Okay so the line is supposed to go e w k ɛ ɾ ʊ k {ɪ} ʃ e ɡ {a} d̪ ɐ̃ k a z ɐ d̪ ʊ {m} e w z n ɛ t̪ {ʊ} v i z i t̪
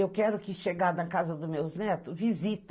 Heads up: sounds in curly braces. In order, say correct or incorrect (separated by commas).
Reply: correct, correct, correct, correct